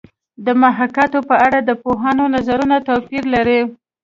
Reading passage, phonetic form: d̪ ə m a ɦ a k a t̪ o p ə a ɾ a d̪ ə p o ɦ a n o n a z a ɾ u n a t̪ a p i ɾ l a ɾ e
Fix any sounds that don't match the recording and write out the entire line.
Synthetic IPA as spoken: d̪ ə m a ɦ a k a t̪ o p ə a ɽ a d̪ ə p o ɦ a n o n a z a ɾ u n a t̪ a p i ɾ l a ɾ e